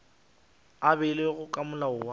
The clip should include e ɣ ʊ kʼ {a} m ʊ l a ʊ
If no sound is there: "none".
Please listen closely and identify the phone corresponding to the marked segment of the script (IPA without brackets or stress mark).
a